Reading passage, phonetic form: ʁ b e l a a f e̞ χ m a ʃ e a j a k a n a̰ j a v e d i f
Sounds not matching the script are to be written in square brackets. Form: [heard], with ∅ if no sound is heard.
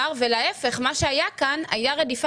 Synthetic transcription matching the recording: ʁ [v] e l a [e] f e̞ χ m a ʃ e a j a k a n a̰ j a [ʁ] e d i f